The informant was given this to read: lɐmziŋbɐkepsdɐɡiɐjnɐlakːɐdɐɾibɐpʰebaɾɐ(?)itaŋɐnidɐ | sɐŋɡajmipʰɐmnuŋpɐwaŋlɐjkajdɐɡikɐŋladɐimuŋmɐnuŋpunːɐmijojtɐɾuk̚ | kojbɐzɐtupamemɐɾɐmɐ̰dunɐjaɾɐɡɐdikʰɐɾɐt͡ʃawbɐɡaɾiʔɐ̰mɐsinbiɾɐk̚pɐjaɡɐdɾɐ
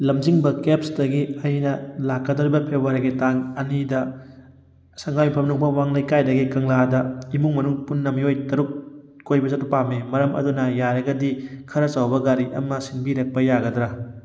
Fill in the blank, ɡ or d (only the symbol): ɡ